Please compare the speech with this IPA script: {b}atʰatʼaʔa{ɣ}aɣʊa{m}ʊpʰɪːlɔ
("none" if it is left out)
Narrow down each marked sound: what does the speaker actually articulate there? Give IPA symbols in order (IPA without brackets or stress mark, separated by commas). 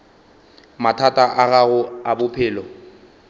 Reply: m, ɣ, b